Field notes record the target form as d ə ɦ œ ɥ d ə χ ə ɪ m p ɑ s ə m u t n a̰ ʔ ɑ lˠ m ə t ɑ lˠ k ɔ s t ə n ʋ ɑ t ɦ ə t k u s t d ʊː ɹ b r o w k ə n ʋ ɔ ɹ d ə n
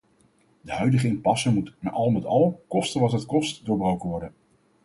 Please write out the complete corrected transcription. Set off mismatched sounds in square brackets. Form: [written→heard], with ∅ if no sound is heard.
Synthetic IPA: d ə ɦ œ ɥ d ə χ ə ɪ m p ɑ s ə m u t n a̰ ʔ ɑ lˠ m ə t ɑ lˠ k ɔ s t ə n ʋ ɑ t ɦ ə t k [u→ɔ] s t d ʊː ɹ b r o w k ə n ʋ ɔ ɹ d ə n

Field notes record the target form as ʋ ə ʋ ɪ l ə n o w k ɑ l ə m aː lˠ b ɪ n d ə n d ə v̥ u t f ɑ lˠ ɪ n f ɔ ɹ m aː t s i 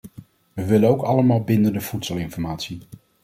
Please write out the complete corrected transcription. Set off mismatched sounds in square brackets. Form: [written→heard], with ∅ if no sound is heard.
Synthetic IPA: ʋ ə ʋ ɪ l ə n o w k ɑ l ə m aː lˠ b ɪ n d ə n d ə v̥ u t [f→s] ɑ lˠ ɪ n f ɔ ɹ m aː t s i

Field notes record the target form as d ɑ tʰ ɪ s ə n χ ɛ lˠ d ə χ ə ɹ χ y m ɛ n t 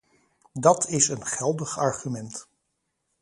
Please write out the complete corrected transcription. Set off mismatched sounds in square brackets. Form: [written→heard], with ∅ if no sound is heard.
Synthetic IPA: d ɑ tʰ ɪ s ə n χ ɛ lˠ d ə χ [ə→ɑ] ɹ χ y m ɛ n t

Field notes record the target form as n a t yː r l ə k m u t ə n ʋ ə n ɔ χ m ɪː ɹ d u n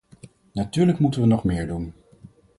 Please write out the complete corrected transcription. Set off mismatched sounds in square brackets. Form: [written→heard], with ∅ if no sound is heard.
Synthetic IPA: n a t yː [r→ɹ] l ə k m u t ə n ʋ ə n ɔ χ m ɪː ɹ d u n

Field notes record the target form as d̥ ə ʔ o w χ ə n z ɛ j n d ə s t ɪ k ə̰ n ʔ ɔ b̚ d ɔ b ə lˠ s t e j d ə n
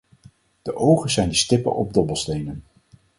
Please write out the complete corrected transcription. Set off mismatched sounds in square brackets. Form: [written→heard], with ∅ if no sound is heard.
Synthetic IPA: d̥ ə ʔ o w χ ə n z ɛ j n d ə s t ɪ [k→p] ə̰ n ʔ ɔ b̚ d ɔ b ə lˠ s t e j [d→n] ə n

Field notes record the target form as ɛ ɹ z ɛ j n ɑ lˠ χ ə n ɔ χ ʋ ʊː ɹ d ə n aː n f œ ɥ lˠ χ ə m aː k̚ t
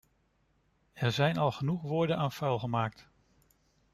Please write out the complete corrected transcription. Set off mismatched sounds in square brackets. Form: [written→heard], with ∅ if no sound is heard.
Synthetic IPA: ɛ ɹ z ɛ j n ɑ lˠ χ ə n [ɔ→u] χ ʋ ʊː ɹ d ə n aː n f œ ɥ lˠ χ ə m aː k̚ t

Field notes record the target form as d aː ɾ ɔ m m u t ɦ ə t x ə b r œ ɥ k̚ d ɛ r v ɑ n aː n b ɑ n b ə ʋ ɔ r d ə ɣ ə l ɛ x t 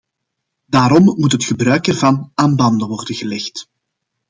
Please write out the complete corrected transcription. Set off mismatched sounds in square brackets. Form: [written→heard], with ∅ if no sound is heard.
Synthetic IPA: d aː ɾ ɔ m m u t ɦ ə t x ə b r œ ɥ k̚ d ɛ r v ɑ n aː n b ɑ n [b→d] ə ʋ ɔ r d ə ɣ ə l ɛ x t

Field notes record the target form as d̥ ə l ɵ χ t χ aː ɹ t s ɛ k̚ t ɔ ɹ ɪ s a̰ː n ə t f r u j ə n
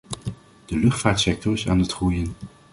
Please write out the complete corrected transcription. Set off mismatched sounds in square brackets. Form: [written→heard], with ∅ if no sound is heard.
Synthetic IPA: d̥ ə l ɵ χ t [χ→f] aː ɹ t s ɛ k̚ t ɔ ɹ ɪ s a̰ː n ə t [f→χ] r u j ə n

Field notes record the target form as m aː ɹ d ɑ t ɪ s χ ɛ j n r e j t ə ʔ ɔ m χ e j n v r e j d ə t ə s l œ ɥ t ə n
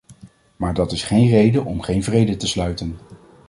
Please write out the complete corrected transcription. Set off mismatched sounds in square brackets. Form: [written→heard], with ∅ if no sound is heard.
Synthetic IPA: m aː ɹ d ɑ t ɪ s χ [ɛ→e] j n r e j [t→d] ə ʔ ɔ m χ e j n v r e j d ə t ə s l œ ɥ t ə n

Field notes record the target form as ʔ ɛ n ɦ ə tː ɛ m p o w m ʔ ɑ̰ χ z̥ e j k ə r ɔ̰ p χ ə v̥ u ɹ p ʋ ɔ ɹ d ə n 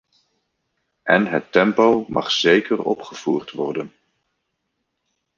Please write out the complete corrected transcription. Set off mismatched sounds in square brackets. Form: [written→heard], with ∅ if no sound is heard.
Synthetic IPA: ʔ ɛ n ɦ ə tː ɛ m p o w m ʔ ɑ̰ χ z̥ e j k ə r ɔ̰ p χ ə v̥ [u→uː] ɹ [p→t] ʋ ɔ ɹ d ə n

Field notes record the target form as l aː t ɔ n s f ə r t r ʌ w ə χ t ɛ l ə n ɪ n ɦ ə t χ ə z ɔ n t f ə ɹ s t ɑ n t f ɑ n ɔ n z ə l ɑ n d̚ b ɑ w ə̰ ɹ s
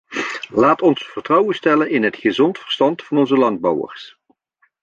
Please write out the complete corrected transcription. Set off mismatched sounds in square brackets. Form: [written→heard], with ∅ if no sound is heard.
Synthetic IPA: l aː t ɔ n s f ə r t r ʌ w ə [χ→s] t ɛ l ə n ɪ n ɦ ə t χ ə z ɔ n t f ə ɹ s t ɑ n t f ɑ n ɔ n z ə l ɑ n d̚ b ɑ w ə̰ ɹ s

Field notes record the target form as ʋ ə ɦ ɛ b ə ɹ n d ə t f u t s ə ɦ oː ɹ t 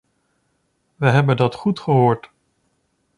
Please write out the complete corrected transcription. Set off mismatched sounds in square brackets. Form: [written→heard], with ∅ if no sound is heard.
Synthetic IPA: ʋ ə ɦ ɛ b ə [ɹ→∅] n d [ə→ɑ] t [f→χ] u t [s→χ] ə ɦ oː ɹ t

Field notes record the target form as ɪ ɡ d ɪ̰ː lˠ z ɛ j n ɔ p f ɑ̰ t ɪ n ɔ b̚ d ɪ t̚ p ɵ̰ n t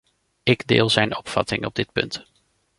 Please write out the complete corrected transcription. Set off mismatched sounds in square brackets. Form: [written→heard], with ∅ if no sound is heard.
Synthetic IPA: ɪ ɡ d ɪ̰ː lˠ z ɛ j n ɔ p f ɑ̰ t ɪ [n→ŋ] ɔ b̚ d ɪ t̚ p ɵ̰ n t

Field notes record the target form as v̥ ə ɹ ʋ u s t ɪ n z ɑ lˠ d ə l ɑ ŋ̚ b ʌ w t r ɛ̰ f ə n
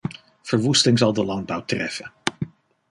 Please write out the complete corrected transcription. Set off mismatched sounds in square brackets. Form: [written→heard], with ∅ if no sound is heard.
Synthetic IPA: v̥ ə ɹ ʋ u s t ɪ [n→ŋ] z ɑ lˠ d ə l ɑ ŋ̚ b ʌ w t r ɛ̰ f ə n

